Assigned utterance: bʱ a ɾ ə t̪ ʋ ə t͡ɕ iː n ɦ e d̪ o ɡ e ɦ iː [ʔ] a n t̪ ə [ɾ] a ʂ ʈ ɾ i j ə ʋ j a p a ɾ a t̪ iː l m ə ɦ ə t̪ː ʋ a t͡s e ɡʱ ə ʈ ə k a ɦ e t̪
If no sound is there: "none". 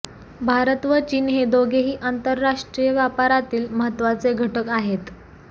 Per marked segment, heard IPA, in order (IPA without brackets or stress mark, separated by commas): ʔ, ɾː